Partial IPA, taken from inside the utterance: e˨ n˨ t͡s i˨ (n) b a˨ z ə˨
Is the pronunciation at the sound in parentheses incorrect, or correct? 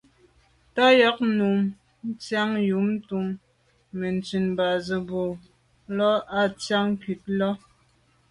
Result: correct